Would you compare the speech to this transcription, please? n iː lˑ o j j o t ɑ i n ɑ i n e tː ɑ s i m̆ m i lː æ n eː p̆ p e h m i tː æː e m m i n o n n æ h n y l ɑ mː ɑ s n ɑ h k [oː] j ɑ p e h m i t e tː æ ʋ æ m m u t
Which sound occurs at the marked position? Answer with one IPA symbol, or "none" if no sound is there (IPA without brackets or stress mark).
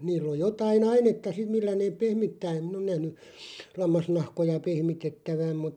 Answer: o